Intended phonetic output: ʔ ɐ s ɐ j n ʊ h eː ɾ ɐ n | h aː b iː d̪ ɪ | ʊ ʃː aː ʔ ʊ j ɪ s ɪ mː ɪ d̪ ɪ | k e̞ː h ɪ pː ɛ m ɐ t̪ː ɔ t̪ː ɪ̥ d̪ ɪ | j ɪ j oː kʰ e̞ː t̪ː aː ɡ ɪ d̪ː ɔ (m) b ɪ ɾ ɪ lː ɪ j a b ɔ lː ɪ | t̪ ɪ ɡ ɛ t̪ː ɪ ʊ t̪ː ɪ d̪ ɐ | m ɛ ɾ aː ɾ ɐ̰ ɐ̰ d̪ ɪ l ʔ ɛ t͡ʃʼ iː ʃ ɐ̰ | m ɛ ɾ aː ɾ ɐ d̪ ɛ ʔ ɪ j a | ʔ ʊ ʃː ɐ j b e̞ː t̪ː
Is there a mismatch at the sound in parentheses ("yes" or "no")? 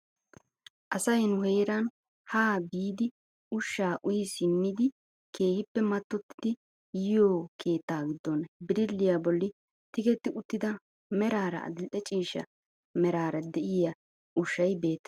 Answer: yes